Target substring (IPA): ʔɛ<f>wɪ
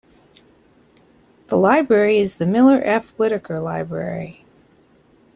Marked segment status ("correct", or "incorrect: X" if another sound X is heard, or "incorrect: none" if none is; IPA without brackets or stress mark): correct